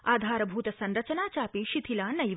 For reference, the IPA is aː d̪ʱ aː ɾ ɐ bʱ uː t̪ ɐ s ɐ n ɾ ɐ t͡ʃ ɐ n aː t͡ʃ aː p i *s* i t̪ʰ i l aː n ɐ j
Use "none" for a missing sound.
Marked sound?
ʃ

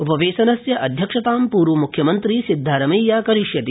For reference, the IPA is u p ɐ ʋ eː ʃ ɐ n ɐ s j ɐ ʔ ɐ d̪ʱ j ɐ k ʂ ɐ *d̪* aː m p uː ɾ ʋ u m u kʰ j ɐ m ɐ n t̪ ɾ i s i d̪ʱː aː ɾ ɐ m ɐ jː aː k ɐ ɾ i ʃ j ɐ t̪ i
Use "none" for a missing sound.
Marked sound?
t̪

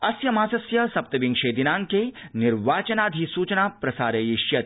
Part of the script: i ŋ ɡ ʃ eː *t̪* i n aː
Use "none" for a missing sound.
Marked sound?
d̪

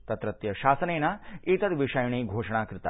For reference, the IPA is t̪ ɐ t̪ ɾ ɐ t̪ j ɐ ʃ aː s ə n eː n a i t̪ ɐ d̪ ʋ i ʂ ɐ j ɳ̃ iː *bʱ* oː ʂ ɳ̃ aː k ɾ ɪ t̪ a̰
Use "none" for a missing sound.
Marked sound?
ɡʱ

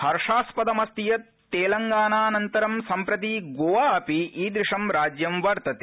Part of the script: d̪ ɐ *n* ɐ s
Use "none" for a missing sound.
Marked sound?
m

